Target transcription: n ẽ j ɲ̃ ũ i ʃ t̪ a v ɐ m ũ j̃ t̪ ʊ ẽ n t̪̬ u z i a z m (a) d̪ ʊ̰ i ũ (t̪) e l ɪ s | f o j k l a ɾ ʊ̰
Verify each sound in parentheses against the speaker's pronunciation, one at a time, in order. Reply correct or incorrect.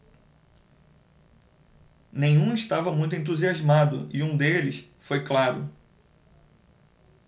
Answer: correct, incorrect

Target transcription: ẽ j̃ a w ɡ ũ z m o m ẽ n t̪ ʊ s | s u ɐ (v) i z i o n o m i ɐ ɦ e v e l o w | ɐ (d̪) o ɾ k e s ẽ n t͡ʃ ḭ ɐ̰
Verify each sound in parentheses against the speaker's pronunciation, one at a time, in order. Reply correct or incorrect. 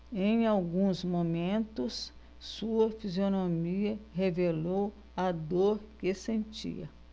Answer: incorrect, correct

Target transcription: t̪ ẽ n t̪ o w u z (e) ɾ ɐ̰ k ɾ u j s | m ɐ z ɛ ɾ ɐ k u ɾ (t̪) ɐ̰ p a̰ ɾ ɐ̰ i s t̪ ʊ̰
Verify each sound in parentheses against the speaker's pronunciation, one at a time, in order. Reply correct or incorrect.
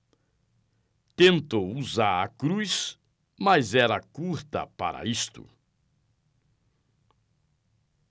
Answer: incorrect, correct

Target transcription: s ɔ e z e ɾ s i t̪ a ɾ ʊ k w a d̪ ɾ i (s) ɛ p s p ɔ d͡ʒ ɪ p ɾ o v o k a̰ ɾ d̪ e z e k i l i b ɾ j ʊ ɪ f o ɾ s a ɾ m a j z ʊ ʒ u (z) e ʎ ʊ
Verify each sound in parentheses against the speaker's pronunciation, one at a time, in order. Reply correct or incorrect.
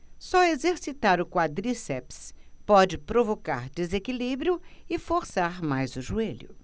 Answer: correct, incorrect

